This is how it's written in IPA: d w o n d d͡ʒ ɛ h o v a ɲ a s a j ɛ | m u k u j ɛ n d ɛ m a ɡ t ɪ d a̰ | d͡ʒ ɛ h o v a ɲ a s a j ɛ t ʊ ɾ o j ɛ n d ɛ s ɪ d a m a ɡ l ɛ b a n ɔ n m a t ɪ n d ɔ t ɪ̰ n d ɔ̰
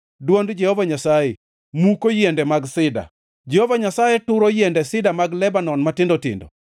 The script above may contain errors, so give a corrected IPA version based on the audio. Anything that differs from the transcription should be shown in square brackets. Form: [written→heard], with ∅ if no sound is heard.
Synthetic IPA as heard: d w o n d d͡ʒ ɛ h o v a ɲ a s a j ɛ | m u k [u→o] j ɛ n d ɛ m a ɡ [t→s] ɪ d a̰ | d͡ʒ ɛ h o v a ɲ a s a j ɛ t ʊ ɾ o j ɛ n d ɛ s ɪ d a m a ɡ l ɛ b a n ɔ n m a t ɪ n d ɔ t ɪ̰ n d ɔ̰